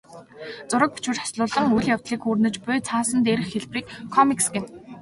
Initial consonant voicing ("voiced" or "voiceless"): voiceless